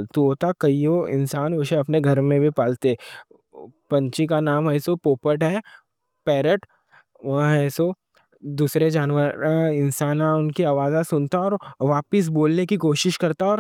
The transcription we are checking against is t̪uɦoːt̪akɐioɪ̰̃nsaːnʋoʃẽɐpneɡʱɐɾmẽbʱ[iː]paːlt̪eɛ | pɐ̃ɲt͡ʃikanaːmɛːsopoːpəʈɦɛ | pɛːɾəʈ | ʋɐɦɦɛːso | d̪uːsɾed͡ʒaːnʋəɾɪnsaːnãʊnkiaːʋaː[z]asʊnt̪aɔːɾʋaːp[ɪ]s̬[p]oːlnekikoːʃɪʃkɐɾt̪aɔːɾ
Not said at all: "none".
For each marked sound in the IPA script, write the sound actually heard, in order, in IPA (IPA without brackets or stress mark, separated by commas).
i, z, ɪ, b